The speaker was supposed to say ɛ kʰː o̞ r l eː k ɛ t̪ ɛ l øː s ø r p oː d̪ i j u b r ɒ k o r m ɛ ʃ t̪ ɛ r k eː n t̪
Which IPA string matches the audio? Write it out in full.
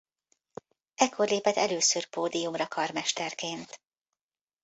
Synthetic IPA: ɛ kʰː o̞ r l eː p ɛ t̪ ɛ l øː s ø r p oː d̪ i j u m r ɒ k ɒ r m ɛ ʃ t̪ ɛ r k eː n t̪